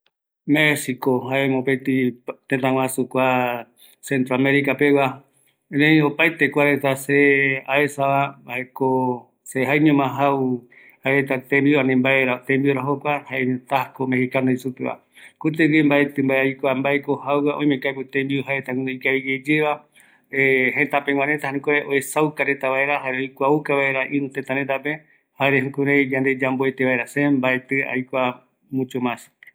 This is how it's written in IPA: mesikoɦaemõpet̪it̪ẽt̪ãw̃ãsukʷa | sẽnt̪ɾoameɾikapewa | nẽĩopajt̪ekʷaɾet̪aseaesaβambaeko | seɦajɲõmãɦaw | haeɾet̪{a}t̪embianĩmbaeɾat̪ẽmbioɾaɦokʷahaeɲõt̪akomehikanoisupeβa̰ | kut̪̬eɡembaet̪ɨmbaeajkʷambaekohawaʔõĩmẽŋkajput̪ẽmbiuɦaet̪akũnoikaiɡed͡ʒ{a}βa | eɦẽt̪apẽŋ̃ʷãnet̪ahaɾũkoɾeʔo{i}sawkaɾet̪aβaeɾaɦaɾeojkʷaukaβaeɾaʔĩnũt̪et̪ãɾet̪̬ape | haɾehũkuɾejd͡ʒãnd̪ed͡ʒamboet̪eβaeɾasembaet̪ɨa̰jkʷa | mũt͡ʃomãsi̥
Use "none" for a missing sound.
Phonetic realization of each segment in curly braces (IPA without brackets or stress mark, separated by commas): a, e, e